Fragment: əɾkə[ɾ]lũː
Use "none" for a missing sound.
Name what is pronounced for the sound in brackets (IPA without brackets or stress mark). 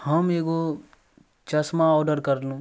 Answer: ɾ